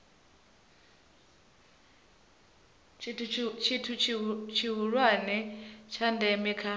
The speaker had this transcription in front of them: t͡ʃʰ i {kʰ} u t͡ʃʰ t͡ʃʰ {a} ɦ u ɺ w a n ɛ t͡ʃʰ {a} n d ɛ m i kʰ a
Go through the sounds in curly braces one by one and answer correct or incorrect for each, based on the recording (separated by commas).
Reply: incorrect, incorrect, correct